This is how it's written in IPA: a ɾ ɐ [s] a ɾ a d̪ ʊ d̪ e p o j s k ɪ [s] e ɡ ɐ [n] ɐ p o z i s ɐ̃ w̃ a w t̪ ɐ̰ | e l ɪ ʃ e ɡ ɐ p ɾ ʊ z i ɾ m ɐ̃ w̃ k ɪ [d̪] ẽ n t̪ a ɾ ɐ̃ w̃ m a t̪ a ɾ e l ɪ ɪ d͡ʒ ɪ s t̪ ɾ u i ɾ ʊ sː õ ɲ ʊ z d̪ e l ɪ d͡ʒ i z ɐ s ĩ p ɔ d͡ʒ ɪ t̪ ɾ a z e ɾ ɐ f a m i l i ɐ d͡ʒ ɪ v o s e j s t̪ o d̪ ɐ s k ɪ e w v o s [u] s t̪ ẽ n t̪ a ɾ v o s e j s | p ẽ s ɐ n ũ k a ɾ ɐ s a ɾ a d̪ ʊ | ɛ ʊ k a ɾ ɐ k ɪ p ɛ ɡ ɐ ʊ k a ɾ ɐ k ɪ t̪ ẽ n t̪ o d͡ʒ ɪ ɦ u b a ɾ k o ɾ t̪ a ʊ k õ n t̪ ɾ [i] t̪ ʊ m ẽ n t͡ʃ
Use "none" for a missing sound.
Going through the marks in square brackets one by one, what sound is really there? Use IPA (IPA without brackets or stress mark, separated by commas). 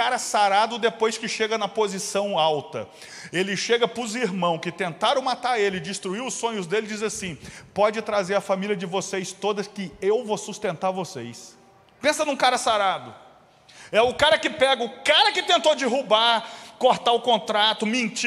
s, ʃ, n, t̪, u, a